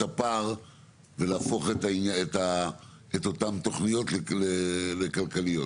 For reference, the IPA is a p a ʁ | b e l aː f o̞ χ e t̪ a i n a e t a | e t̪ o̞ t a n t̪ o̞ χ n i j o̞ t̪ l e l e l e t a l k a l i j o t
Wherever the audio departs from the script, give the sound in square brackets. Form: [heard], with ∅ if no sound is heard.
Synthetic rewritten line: a p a ʁ | [v] e l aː f o̞ χ e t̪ a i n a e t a | e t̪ o̞ t a [m] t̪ o̞ χ n i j o̞ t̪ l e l e l e [k] a l k a l i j o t